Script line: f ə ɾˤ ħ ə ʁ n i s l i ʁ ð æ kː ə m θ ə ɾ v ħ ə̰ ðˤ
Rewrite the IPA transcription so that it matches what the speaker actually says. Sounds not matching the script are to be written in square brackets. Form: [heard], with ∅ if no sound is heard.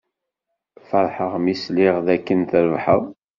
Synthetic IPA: f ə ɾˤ ħ ə ʁ [m] i s l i ʁ ð æ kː ə [n] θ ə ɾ v ħ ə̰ ðˤ